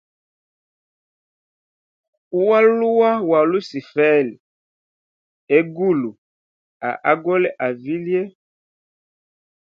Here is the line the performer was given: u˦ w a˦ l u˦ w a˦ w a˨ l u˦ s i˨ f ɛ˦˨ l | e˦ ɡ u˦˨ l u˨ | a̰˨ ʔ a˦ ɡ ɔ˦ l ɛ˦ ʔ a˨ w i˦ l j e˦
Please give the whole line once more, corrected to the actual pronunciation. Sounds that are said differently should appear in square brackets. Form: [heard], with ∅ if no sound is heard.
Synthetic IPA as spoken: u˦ w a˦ l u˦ w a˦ w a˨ l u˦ s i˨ f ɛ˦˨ l | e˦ ɡ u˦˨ l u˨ | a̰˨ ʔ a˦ ɡ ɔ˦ l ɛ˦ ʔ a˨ [v] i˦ l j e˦

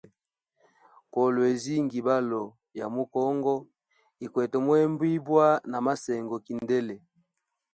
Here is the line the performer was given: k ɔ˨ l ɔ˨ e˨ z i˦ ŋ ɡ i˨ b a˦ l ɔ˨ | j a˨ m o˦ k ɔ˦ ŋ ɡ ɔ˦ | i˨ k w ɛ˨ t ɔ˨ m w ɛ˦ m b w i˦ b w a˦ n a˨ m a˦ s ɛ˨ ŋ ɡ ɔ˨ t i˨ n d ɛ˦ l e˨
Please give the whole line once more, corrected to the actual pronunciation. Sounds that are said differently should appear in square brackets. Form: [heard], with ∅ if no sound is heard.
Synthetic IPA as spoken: k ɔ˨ l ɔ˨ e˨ z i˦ ŋ ɡ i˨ b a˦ l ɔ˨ | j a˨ m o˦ k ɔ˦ ŋ ɡ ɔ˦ | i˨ k w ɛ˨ t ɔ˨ m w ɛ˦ m b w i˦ b w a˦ n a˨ m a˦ s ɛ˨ ŋ ɡ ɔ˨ [k] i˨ n d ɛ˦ l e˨

